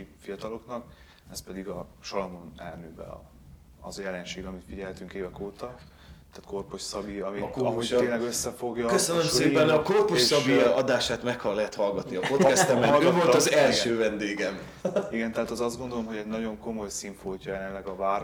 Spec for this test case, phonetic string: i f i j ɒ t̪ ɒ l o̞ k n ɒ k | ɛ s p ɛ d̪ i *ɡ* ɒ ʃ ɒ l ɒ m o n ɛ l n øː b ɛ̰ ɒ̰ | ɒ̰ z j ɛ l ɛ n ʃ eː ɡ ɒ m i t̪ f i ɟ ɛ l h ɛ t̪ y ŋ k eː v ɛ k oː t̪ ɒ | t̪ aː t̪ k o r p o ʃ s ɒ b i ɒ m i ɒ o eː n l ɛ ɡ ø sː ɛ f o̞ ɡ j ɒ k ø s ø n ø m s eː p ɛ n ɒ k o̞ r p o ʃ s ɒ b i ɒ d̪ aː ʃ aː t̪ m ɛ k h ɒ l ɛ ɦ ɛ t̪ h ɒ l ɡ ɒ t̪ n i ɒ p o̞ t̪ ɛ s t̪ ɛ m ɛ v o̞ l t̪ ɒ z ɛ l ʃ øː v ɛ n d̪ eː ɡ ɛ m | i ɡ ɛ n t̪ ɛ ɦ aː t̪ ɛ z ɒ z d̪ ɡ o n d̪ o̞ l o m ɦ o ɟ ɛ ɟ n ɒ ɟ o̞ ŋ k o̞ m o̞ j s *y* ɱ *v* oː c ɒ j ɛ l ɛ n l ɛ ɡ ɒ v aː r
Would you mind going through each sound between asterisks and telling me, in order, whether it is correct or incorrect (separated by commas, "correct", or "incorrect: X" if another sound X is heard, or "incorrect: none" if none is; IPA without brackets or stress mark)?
correct, incorrect: i, incorrect: f